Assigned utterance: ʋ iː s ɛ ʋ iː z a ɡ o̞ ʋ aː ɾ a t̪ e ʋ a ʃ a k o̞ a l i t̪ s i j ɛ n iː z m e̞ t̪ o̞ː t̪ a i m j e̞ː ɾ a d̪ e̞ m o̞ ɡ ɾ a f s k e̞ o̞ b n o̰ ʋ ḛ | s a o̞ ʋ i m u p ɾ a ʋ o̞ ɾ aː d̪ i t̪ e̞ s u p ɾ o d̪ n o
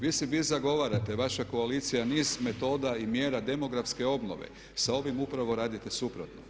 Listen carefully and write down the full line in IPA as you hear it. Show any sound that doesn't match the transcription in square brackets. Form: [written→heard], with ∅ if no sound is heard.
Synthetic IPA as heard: ʋ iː s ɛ ʋ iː z a ɡ o̞ ʋ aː ɾ a t̪ e ʋ a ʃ a k o̞ a l i t̪ s i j [ɛ→a] n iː z m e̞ t̪ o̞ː [t̪→d̪] a i m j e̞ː ɾ a d̪ e̞ m o̞ ɡ ɾ a f s k e̞ o̞ b n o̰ ʋ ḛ | s a o̞ ʋ i m u p ɾ a ʋ o̞ ɾ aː d̪ i t̪ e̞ s u p ɾ o [d̪→t̪] n o